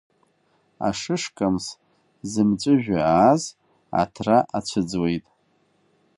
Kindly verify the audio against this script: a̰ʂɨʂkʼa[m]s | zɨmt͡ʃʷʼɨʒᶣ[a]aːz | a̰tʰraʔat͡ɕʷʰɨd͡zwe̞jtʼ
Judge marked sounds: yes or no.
yes, yes

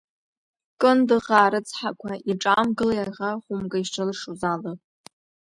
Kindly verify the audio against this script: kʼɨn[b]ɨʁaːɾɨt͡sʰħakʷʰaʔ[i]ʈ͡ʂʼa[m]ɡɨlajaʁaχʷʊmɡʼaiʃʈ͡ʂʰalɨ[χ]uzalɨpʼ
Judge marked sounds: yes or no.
no, yes, yes, no

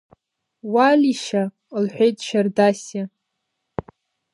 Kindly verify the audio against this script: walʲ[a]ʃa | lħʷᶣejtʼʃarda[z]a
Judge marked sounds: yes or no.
no, no

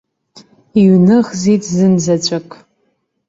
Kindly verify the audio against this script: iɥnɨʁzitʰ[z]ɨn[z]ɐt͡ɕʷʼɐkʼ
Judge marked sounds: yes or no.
yes, yes

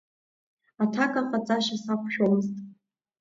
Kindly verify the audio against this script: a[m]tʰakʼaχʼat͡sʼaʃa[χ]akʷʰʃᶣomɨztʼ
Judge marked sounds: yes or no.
no, no

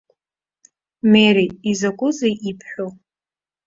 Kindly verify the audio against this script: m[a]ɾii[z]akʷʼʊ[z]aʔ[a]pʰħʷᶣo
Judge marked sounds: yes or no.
no, yes, yes, no

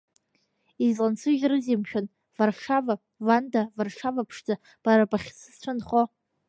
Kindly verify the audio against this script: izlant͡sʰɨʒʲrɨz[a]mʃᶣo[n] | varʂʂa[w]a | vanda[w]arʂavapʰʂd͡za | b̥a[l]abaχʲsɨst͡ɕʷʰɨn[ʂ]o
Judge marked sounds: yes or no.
no, yes, no, no, no, no

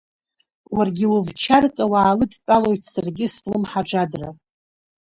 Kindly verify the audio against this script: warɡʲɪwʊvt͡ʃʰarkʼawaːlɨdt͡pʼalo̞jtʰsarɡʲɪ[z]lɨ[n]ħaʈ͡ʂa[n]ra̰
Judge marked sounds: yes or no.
no, no, no

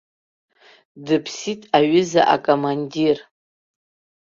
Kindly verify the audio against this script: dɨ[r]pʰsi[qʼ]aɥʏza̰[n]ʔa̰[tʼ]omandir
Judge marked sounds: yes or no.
no, no, no, no

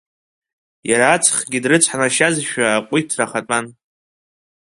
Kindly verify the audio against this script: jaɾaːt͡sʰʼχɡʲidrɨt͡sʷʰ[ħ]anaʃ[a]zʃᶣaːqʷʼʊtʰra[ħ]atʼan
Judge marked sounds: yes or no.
yes, yes, no

